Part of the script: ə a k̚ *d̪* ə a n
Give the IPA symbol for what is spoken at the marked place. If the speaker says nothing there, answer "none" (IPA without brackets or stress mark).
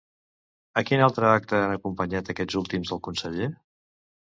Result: t̪